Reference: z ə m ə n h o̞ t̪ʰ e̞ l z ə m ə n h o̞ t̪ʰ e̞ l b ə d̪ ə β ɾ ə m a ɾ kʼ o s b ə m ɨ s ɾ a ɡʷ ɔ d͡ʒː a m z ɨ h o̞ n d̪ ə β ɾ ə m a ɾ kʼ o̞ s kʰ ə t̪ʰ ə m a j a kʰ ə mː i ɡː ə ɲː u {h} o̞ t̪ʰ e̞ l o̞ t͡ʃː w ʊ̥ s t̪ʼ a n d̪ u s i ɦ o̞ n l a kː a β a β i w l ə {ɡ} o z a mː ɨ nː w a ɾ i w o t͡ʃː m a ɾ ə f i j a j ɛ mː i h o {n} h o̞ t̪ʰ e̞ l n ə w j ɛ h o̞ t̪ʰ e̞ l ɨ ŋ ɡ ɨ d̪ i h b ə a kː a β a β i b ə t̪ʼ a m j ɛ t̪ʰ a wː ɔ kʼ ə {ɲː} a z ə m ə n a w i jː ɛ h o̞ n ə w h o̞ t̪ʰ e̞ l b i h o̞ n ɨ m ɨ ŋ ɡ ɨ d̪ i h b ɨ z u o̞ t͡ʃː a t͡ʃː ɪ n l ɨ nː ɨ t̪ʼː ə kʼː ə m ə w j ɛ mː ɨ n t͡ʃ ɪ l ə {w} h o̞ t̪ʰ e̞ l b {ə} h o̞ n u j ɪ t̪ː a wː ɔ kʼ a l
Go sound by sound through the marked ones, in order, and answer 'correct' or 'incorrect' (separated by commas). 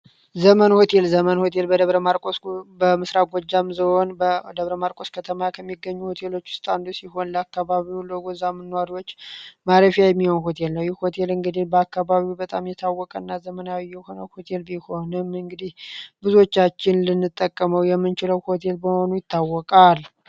correct, correct, correct, incorrect, correct, correct